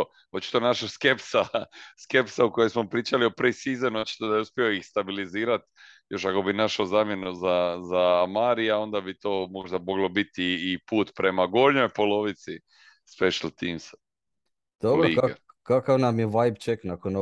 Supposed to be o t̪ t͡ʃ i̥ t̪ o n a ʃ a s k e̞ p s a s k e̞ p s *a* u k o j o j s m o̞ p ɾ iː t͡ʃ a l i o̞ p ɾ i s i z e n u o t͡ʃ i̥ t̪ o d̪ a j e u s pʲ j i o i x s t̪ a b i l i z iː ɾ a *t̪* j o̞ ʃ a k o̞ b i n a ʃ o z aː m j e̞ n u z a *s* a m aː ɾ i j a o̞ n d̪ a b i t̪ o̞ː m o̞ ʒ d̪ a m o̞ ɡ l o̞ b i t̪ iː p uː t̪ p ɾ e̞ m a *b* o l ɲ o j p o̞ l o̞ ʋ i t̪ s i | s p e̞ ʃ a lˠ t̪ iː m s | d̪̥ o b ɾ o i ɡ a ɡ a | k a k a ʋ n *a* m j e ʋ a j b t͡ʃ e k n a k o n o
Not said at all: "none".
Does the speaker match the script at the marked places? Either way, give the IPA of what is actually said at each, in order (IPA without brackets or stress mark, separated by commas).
a, t̪, z, ɡ, a